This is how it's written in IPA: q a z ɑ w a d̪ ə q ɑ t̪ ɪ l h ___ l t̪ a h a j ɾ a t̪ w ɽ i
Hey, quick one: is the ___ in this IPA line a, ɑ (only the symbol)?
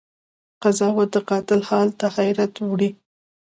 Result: ɑ